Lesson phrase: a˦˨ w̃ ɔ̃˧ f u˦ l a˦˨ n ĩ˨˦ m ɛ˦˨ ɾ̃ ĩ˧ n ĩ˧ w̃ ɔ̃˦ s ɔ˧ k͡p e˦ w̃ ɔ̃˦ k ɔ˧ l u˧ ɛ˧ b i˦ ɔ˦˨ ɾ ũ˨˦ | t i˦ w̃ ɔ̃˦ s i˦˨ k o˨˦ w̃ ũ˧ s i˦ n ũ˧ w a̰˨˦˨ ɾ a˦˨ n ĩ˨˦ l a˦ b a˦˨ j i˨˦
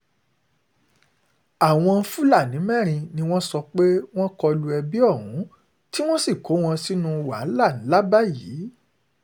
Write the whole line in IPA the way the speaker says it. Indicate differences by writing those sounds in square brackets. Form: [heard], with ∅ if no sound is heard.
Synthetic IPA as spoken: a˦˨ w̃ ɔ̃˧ f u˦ l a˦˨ n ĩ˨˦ m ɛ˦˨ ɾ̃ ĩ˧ n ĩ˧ w̃ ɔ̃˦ s ɔ˧ k͡p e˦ w̃ ɔ̃˦ k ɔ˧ l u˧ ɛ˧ b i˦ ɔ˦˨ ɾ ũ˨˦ | t i˦ w̃ ɔ̃˦ s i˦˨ k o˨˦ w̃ [ɔ̃˧] s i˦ n ũ˧ w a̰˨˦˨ [l] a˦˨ n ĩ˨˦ l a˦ b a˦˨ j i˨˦

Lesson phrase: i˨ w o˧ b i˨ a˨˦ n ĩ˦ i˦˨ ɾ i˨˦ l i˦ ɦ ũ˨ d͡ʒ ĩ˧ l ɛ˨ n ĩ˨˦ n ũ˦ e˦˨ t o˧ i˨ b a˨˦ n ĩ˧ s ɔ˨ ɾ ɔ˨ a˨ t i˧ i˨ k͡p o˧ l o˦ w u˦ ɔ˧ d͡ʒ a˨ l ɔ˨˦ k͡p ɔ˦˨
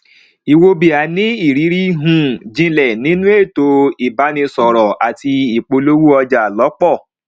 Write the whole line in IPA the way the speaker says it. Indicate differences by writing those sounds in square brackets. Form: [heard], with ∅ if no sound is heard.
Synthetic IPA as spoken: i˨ w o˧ b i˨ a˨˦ n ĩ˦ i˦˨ ɾ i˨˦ [ɾ] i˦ ɦ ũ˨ d͡ʒ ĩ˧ l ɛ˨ n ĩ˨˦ n ũ˦ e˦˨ t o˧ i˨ b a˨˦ n ĩ˧ s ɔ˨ ɾ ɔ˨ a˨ t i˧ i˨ k͡p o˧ l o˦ w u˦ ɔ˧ d͡ʒ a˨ l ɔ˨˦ k͡p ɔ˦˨

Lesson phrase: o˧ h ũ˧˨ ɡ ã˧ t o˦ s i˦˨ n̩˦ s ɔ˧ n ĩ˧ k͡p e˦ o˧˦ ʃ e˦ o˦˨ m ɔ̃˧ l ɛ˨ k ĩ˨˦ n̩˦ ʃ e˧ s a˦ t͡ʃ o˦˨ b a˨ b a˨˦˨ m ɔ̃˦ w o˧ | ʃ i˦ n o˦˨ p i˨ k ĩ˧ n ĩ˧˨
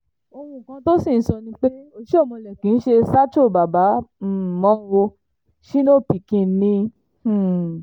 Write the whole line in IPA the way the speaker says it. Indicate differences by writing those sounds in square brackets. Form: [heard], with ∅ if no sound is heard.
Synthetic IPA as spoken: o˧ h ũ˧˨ [k] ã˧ t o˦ s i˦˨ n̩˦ s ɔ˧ n ĩ˧ k͡p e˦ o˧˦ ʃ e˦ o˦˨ m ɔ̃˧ l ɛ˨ k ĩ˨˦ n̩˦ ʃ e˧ s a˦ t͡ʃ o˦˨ b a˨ b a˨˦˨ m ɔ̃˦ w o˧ | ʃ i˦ n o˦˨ p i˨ k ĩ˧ n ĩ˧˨

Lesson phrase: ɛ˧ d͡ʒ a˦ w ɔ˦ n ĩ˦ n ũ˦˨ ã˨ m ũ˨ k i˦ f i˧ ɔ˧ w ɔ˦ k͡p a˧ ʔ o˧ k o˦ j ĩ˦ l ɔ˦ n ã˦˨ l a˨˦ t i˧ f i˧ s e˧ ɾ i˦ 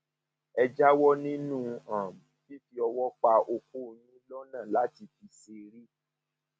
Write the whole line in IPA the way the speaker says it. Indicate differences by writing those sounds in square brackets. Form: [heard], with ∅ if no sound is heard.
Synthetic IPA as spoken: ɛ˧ d͡ʒ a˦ w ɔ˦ n ĩ˦ n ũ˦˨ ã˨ m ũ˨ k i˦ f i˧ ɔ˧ w ɔ˦ k͡p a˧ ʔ o˧ k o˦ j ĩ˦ l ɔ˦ n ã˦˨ l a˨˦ t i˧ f i˧ s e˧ ɾ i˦

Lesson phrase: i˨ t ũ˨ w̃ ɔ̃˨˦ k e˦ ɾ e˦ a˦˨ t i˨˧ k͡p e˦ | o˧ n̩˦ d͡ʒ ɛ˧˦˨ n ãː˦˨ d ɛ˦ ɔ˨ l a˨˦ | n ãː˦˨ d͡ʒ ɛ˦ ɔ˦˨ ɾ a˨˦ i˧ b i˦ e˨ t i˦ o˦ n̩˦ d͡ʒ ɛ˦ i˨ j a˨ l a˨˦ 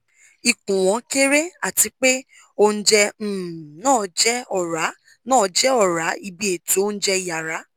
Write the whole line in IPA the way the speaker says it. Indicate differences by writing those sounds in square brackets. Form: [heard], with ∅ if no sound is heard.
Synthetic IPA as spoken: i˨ [k] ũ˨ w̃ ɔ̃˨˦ k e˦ ɾ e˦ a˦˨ t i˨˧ k͡p e˦ | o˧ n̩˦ d͡ʒ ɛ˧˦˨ n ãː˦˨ [d͡ʒ] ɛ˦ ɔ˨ [ɾ] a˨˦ | n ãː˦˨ d͡ʒ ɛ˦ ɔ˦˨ ɾ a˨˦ i˧ b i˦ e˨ t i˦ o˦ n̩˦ d͡ʒ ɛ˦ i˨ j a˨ [ɾ] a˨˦

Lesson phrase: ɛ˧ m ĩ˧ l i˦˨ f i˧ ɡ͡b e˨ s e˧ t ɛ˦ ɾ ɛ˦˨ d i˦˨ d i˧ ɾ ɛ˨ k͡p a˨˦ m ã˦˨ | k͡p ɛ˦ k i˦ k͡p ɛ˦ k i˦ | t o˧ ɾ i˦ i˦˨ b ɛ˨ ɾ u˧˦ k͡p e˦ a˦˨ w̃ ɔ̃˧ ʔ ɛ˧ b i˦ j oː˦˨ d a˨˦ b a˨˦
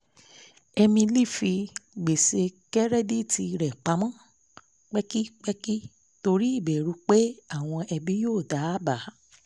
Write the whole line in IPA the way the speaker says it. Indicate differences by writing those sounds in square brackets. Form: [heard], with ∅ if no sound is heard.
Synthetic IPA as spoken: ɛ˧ m ĩ˧ l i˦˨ f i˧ ɡ͡b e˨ s e˧ [k] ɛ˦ ɾ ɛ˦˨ d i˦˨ [t] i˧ ɾ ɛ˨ k͡p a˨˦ m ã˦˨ | k͡p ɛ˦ k i˦ k͡p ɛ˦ k i˦ | t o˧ ɾ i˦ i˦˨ b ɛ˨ ɾ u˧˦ k͡p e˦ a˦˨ w̃ ɔ̃˧ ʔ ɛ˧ b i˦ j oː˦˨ d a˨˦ b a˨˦

